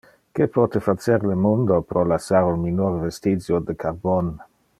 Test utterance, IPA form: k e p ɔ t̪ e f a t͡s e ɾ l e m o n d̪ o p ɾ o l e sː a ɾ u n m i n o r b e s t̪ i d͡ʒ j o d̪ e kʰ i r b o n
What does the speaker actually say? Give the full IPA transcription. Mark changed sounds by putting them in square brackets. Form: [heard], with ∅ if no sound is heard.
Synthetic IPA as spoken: k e p ɔ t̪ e f a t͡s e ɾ l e m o n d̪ o p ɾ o l [a] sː a ɾ u n m i n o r [v] e s t̪ i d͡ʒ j o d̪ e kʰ [a] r b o n